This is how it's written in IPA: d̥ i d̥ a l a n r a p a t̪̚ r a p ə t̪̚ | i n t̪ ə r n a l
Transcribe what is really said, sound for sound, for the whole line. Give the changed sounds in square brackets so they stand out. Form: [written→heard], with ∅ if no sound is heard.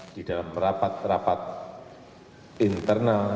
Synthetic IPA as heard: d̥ i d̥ a l a [n→m] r a p a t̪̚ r a p [ə→a] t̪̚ | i n t̪ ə r n a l